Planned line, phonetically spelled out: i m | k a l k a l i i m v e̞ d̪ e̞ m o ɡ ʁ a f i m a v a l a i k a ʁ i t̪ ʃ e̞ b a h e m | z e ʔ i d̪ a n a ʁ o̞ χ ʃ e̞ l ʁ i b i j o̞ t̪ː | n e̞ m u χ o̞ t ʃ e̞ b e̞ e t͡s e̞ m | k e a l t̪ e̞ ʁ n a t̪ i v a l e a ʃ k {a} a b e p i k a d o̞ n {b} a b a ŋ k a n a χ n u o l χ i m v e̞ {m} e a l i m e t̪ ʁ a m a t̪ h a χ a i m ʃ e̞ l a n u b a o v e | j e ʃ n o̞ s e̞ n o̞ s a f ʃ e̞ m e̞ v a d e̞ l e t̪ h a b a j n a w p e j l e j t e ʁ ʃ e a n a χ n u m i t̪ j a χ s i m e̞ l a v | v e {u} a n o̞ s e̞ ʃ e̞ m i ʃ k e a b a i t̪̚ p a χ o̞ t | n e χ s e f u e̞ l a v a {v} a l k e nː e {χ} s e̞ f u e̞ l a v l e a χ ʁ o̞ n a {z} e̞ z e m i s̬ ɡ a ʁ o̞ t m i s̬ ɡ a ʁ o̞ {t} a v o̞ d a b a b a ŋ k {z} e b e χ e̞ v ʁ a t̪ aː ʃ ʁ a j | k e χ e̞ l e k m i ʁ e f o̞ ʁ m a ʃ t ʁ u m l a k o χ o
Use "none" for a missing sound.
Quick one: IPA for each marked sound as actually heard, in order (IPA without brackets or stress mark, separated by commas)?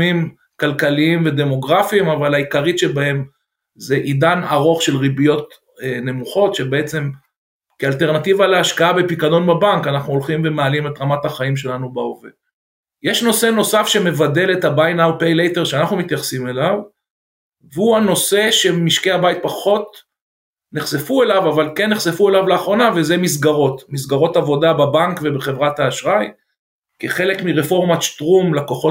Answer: a, b, m, u, v, χ, v, t, v